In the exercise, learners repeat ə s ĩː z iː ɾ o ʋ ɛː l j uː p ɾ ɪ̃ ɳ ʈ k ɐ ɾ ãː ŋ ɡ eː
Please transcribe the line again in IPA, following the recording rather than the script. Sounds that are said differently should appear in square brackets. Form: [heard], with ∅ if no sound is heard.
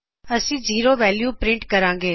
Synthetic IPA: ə s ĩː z iː ɾ o ʋ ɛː l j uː p ɾ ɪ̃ ɳ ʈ k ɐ ɾ ãː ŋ ɡ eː